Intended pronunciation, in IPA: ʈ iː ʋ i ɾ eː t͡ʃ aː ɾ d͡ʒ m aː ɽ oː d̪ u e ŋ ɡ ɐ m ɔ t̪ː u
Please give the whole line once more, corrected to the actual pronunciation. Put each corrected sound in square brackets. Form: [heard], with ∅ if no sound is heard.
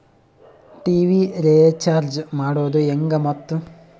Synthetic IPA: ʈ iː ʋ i ɾ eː t͡ʃ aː ɾ d͡ʒ m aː ɽ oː d̪ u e ŋ ɡ ɐ m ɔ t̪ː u

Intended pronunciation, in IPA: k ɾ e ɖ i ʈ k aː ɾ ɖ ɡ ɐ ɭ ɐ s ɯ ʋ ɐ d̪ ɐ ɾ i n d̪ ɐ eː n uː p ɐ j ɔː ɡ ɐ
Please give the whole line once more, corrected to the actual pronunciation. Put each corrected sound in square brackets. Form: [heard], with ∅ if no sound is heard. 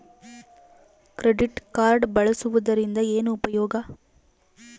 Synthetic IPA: k ɾ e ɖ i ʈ k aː ɾ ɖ [b] ɐ ɭ ɐ s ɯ ʋ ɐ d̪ ɐ ɾ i n d̪ ɐ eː n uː p ɐ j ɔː ɡ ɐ

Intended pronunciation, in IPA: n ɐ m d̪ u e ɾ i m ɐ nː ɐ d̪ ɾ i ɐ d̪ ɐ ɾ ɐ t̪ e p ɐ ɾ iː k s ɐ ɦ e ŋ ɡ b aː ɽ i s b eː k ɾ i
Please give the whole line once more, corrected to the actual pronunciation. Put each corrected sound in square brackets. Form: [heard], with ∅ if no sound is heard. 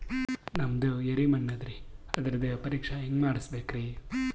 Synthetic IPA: n ɐ m d̪ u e ɾ i m ɐ nː ɐ d̪ ɾ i ɐ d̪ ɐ ɾ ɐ [d̪] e p ɐ ɾ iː k [ʂ] ɐ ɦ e ŋ ɡ [m] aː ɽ i s b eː k ɾ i

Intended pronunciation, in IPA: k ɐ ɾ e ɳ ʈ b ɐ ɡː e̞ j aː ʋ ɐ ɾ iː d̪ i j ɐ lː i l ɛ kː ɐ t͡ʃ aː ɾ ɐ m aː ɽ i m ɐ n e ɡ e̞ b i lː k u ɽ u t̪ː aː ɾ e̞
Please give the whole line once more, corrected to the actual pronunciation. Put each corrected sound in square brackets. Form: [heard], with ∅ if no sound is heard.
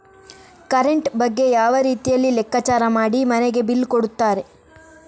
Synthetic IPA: k ɐ ɾ e ɳ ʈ b ɐ ɡː e̞ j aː ʋ ɐ ɾ iː [t̪] i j ɐ lː i l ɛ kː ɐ t͡ʃ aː ɾ ɐ m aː ɽ i m ɐ n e ɡ e̞ b i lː k [o] ɽ u t̪ː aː ɾ e̞

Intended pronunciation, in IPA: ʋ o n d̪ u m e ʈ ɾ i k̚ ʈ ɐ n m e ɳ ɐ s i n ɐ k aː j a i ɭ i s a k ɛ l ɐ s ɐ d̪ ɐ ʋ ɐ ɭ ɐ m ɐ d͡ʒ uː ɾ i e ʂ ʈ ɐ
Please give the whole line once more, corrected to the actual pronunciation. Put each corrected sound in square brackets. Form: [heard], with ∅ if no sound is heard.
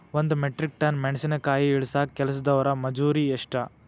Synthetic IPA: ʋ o n d̪ u m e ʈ ɾ i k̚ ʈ ɐ n m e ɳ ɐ s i n ɐ k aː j [i] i ɭ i s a k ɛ l ɐ s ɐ d̪ ɐ ʋ ɐ [ɾ] ɐ m ɐ d͡ʒ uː ɾ i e ʂ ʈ ɐ

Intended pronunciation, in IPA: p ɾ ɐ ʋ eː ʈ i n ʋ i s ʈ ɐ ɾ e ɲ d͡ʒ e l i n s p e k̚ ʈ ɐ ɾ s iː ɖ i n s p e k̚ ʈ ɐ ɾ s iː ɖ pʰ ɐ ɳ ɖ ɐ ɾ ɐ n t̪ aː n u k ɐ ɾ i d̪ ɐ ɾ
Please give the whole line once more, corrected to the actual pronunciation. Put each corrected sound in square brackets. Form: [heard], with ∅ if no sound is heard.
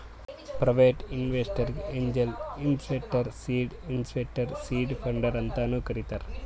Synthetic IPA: p ɾ ɐ ʋ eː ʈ i n ʋ [e] s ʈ ɐ ɾ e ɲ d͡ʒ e l i n s p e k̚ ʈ ɐ ɾ s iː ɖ i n s p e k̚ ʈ ɐ ɾ s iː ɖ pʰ ɐ ɳ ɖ ɐ ɾ ɐ n t̪ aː n u k ɐ ɾ i [t̪] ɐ ɾ

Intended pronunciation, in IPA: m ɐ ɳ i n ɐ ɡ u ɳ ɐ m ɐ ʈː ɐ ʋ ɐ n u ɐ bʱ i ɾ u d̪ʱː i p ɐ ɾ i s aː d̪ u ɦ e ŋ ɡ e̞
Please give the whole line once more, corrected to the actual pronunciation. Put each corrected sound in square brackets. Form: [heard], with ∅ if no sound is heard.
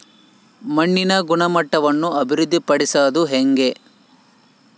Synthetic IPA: m ɐ [ɳː] i n ɐ ɡ u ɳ ɐ m ɐ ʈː ɐ ʋ ɐ [nː] u ɐ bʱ i ɾ u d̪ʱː i p ɐ [ɽ] i s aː d̪ u ɦ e ŋ ɡ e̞

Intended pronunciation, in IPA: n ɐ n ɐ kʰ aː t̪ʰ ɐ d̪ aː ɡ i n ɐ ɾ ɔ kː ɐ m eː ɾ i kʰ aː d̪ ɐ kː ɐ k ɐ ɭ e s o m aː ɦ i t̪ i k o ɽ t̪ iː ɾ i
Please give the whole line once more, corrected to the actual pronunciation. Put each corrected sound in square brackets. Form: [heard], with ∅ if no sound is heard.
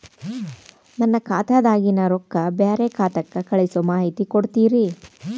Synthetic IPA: n ɐ [nː] ɐ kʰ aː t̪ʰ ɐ d̪ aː ɡ i n ɐ ɾ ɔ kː ɐ [b] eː ɾ [e] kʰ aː [t̪] ɐ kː ɐ k ɐ ɭ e s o m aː ɦ i t̪ i k o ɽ t̪ iː ɾ i

